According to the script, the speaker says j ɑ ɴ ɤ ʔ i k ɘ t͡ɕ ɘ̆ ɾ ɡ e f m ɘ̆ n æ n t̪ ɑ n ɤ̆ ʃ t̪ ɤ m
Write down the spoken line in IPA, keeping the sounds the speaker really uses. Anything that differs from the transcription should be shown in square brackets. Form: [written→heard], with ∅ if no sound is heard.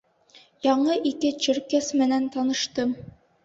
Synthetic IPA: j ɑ ɴ ɤ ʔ i k ɘ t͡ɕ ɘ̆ ɾ [ɡ→k] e [f→s] m ɘ̆ n æ n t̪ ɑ n ɤ̆ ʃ t̪ ɤ m